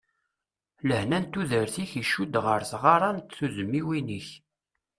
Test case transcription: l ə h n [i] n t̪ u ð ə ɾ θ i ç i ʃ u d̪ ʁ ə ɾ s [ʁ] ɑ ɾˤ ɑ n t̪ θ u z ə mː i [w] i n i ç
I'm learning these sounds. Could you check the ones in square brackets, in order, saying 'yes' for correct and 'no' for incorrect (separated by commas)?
no, yes, yes